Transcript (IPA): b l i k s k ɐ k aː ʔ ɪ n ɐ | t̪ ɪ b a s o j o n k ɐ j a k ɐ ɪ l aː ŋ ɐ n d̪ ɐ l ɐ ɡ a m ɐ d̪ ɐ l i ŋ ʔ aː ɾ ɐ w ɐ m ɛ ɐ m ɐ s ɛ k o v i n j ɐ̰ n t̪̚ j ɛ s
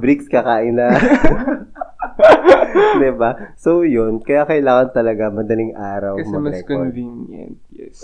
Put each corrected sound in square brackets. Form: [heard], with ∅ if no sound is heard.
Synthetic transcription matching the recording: b [ɾ] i k s k ɐ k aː ʔ ɪ n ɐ | [d̪] ɪ b a s o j o n k ɐ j a k ɐ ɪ l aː ŋ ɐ n [t̪] ɐ l ɐ ɡ a m ɐ d̪ ɐ l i ŋ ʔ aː ɾ ɐ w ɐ m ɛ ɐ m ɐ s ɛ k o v i n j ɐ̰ n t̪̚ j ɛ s